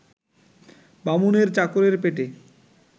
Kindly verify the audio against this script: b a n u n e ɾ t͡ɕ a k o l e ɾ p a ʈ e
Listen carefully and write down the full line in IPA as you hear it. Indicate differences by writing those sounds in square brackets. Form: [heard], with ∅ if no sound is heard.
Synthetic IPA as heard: b a [m] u n e ɾ t͡ɕ a k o [ɾ] e ɾ p [e] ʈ e